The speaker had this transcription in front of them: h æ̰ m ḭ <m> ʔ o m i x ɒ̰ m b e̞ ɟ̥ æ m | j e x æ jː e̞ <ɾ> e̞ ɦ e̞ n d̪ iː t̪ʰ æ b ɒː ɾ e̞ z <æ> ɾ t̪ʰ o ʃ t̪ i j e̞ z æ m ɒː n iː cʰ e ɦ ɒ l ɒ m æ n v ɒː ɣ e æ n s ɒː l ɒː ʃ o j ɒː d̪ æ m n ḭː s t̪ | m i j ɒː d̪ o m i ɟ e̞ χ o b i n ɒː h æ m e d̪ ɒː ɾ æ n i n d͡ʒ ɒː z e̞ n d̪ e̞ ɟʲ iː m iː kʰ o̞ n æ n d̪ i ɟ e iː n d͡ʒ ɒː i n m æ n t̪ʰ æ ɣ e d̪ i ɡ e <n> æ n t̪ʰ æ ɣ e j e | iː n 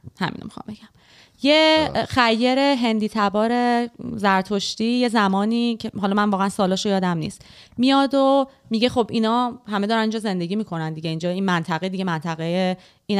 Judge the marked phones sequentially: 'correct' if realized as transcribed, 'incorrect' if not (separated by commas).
incorrect, correct, correct, incorrect